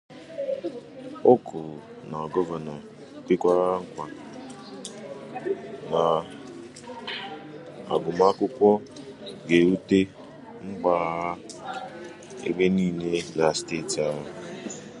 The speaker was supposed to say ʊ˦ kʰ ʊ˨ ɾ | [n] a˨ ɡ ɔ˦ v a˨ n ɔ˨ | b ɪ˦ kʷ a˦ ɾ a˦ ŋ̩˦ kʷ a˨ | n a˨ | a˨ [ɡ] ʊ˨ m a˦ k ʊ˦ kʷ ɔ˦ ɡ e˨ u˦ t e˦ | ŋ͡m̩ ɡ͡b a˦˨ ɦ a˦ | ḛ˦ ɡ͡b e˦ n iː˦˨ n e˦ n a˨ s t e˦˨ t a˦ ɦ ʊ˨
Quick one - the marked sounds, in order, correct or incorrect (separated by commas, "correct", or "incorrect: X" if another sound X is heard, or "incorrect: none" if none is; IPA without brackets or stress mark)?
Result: correct, correct